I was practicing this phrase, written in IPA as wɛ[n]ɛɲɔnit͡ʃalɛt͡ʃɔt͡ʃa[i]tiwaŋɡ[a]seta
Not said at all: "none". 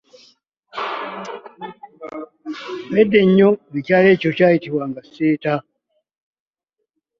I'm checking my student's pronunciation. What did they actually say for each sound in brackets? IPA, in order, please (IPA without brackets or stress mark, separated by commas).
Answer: d, i, a